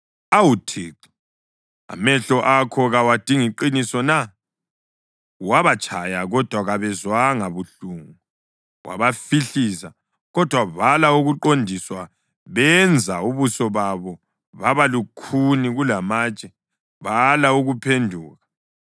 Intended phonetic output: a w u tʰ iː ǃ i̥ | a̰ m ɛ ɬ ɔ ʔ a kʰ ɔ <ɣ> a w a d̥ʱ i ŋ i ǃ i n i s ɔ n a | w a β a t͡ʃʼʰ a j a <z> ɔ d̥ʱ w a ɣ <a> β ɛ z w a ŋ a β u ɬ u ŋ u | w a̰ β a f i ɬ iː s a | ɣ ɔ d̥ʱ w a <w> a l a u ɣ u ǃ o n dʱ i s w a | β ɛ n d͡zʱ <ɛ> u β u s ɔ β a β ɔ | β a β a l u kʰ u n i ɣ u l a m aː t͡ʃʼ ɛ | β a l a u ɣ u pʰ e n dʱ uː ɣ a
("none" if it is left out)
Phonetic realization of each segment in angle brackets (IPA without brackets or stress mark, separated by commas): ɣ, ɣ, a, β, a